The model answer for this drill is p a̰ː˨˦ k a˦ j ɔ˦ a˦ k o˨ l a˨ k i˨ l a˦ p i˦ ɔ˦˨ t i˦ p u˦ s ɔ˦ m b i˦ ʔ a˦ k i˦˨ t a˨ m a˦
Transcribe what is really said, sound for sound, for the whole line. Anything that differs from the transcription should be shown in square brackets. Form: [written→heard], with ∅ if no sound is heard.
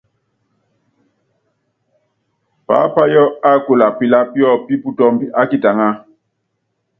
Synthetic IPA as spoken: p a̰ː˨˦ [k→p] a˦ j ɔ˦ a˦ k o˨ l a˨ [k→p] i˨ l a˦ p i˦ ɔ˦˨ [t→p] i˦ p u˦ [s→t] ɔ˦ m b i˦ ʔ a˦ k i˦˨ t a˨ [m→ŋ] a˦